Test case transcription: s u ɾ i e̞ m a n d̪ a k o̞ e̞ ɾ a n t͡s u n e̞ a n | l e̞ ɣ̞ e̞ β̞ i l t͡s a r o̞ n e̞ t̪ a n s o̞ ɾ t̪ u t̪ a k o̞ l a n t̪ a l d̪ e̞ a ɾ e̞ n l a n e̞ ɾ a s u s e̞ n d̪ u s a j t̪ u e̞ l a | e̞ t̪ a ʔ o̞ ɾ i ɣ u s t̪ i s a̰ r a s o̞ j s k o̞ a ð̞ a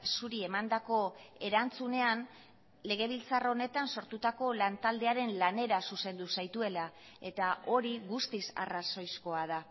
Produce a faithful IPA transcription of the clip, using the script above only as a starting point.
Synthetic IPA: s u ɾ i e̞ m a n d̪ a k o̞ e̞ ɾ a n t͡s u n e̞ a n | l e̞ ɣ̞ e̞ β̞ i l t͡s a r o̞ n e̞ t̪ a n s o̞ ɾ t̪ u t̪ a k o̞ l a n t̪ a l d̪ e̞ a ɾ e̞ n l a n e̞ ɾ a s u s e̞ n d̪ u s a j t̪ u e̞ l a | e̞ t̪ a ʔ o̞ ɾ i ɣ u s t̪ i s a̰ r a s o̞ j s k o̞ a ð̞ a